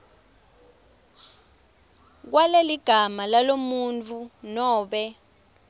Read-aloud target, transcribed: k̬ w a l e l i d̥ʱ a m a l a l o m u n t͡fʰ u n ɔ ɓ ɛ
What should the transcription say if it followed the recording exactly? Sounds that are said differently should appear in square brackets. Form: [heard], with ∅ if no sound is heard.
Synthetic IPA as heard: k̬ w a l e l i [ɡ̥ʱ] a m a l a l o m u n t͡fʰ u n [ɔː] ɓ ɛ